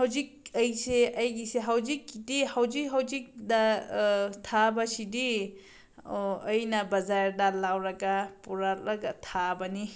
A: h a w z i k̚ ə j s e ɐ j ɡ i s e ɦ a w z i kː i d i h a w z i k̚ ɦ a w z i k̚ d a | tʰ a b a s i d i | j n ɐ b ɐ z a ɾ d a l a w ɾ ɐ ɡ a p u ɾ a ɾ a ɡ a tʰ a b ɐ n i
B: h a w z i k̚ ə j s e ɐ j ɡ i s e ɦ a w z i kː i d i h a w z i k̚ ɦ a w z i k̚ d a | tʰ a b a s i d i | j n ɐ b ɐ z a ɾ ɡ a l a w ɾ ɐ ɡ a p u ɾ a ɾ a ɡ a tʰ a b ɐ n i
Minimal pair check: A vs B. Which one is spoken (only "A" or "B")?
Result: A